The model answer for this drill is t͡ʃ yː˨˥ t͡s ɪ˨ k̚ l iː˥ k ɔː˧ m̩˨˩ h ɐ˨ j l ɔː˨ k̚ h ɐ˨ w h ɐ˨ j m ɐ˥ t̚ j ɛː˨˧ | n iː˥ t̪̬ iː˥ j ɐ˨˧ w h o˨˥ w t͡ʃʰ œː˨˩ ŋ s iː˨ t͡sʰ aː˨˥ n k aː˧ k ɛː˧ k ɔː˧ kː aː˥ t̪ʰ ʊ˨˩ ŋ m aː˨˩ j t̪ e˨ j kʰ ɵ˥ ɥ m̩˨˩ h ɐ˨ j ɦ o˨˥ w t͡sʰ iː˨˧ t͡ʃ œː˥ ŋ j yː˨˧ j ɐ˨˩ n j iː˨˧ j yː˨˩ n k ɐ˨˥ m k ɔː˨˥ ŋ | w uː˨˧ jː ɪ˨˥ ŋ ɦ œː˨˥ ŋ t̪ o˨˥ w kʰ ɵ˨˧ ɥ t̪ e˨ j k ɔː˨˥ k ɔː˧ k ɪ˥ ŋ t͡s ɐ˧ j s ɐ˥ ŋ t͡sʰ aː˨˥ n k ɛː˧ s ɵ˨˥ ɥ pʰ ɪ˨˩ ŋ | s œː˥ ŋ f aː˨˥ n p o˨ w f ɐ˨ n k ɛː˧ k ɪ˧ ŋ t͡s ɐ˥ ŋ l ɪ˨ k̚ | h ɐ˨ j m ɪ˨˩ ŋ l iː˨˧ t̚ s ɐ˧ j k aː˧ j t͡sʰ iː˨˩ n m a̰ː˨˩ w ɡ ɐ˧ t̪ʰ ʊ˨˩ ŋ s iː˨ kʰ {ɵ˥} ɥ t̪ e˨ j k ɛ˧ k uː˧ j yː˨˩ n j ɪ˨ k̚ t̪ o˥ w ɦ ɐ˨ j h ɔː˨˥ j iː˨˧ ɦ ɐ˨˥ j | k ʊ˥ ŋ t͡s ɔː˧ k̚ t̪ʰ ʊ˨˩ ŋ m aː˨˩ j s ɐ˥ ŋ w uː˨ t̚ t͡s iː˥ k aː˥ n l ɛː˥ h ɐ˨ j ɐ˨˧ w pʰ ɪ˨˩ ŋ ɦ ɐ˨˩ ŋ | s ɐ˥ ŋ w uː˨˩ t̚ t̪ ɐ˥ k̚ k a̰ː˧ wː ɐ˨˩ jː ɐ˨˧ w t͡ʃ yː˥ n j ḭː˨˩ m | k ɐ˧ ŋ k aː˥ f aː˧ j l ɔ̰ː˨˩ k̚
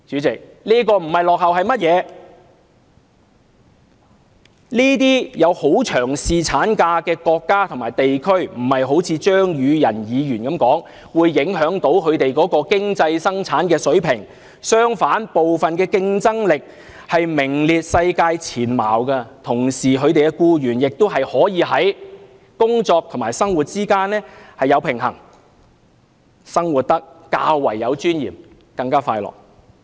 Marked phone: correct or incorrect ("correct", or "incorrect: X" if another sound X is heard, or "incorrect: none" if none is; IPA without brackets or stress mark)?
incorrect: ɵ˨˧